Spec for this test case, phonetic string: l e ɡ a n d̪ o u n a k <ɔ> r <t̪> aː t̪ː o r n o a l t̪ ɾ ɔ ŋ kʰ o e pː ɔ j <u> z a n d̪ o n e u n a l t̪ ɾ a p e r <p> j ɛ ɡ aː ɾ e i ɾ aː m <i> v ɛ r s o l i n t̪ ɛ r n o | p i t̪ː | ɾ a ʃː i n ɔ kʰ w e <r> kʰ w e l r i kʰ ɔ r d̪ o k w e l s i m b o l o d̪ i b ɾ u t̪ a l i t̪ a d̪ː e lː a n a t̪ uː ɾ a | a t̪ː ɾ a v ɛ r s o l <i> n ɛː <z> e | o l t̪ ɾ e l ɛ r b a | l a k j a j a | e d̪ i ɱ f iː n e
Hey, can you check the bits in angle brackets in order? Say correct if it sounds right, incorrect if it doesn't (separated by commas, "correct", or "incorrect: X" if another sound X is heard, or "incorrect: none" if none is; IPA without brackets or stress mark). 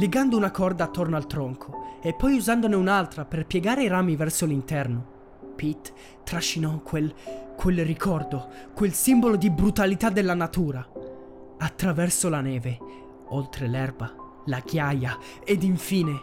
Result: correct, incorrect: d̪, correct, correct, correct, incorrect: l, incorrect: a, incorrect: v